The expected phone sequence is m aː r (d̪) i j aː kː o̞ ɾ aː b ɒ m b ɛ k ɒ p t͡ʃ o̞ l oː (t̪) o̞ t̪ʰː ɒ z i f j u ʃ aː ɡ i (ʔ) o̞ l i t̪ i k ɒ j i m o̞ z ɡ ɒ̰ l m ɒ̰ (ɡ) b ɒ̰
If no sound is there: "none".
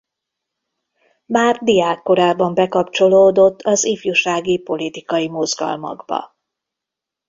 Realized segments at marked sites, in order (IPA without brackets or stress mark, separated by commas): d̪, d̪, p, ɡ